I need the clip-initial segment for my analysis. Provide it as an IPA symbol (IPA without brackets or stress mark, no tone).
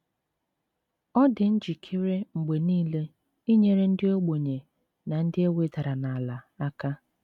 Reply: ɔ